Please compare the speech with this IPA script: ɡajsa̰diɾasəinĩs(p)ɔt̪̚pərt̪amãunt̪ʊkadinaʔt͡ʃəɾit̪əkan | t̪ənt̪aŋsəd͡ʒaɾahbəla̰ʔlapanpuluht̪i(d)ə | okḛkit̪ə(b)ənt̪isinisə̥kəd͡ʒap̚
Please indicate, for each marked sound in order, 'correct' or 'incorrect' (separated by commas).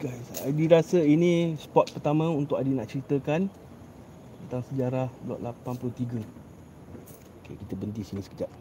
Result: correct, incorrect, correct